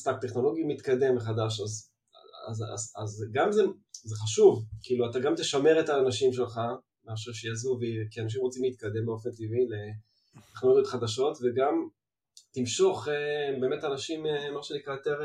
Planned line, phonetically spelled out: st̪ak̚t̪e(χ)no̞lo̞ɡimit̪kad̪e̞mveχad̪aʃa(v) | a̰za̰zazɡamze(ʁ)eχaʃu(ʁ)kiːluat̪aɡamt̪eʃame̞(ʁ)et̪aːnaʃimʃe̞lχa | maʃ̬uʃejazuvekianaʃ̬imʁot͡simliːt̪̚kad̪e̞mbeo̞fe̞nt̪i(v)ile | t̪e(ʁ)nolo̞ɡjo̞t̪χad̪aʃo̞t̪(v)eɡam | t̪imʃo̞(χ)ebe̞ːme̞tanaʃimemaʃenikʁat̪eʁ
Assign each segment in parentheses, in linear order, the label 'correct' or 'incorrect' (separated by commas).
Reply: correct, incorrect, incorrect, incorrect, correct, correct, incorrect, correct, correct